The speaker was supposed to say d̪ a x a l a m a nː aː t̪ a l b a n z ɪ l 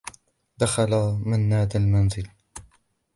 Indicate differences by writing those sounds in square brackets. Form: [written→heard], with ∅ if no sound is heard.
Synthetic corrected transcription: d̪ a x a l a m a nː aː [t̪→d̪] a l [b→m] a n z ɪ l

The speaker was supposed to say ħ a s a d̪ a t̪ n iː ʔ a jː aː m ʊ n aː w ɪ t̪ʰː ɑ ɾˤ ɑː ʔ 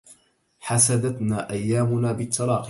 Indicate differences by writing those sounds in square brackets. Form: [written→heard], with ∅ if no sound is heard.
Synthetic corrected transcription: ħ a s a d̪ a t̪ n [iː→aː] ʔ a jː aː m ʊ n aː [w→b] ɪ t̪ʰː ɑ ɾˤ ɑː [ʔ→q]

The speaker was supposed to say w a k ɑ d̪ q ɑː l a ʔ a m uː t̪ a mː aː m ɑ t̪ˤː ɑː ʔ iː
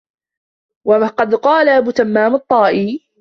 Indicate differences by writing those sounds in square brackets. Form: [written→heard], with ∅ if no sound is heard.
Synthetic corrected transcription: w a [k→q] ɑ d̪ q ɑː l a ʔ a [m→b] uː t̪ a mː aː m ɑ t̪ˤː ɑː ʔ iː

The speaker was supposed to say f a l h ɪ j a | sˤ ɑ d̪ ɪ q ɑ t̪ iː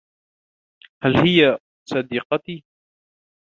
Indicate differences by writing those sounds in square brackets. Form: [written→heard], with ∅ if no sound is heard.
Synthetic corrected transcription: [f→h] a l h ɪ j a | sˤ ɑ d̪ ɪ q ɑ t̪ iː

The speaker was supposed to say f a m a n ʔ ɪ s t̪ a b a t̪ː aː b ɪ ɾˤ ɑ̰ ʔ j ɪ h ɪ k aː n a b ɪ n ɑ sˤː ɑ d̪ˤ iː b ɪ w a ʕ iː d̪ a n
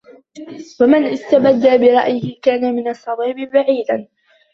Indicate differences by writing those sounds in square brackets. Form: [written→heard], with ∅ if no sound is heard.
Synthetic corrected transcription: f a m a n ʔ ɪ s t̪ a b a [t̪ː→d̪ː] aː b ɪ ɾˤ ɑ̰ ʔ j ɪ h ɪ k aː n a [b→m] ɪ n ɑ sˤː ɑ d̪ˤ iː b ɪ [w→b] a ʕ iː d̪ a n

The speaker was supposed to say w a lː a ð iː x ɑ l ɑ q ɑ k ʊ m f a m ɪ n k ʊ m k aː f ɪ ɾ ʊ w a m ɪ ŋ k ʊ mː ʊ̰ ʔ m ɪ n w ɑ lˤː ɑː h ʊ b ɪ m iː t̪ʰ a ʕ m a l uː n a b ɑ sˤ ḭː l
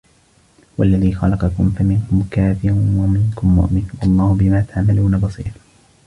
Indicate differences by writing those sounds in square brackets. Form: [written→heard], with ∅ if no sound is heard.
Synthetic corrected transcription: w a lː a ð iː x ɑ l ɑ q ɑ k ʊ m f a m ɪ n k ʊ m k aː f ɪ ɾ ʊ w a m ɪ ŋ k ʊ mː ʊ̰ ʔ m ɪ n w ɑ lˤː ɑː h ʊ b ɪ m [iː→aː] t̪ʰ a ʕ m a l uː n a b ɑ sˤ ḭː [l→ɾ]

